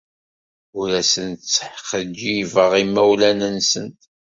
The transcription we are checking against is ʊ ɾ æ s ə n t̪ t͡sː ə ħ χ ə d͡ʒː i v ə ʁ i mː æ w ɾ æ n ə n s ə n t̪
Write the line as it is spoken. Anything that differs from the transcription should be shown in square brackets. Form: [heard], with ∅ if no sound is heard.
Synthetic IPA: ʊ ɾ æ s ə n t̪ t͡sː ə ħ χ ə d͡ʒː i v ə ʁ i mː æ w [l] æ n ə n s ə n t̪